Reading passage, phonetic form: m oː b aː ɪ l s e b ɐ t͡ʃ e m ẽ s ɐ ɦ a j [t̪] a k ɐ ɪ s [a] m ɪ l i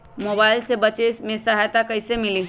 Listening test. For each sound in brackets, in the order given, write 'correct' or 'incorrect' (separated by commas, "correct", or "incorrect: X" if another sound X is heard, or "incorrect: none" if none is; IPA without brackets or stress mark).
correct, incorrect: e